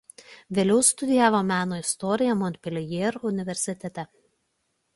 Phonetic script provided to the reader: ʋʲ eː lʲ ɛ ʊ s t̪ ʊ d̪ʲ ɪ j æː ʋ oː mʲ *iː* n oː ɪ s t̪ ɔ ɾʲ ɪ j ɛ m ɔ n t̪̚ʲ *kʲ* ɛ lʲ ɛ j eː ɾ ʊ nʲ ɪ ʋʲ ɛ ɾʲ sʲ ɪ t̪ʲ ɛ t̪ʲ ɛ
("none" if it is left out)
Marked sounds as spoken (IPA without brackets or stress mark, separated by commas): æː, pʲ